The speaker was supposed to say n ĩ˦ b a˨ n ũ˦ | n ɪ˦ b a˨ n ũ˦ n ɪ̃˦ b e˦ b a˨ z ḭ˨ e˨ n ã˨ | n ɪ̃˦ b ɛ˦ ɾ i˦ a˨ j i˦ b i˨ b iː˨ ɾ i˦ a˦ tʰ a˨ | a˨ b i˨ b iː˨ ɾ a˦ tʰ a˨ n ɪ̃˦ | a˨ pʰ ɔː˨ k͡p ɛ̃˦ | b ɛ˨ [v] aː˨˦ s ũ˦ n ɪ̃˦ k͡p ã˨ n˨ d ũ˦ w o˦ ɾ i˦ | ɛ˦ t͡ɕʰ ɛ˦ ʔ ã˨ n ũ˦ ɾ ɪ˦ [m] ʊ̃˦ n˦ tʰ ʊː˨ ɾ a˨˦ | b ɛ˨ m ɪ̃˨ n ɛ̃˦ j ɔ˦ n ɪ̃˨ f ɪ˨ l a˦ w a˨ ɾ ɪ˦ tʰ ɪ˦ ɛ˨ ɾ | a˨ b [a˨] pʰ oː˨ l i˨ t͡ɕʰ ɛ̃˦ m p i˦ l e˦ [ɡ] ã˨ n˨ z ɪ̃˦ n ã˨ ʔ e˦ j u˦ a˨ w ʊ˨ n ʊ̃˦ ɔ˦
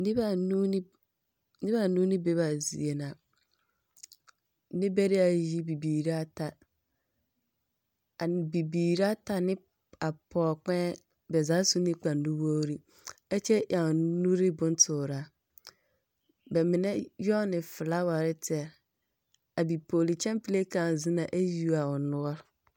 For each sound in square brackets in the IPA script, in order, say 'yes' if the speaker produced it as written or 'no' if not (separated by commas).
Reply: no, no, no, no